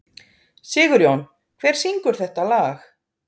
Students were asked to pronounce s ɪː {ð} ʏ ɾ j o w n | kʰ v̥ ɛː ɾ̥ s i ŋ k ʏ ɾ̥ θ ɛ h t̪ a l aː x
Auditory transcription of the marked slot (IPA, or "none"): ɣ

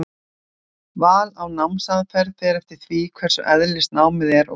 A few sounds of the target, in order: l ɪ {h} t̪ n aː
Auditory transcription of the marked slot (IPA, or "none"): s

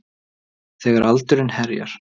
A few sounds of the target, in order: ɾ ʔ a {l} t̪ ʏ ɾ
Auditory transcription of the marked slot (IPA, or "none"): l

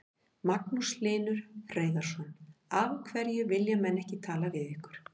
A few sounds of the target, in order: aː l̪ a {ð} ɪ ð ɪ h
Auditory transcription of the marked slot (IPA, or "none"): v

